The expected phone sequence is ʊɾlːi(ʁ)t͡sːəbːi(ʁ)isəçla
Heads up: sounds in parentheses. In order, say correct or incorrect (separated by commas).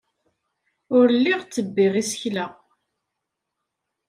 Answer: correct, correct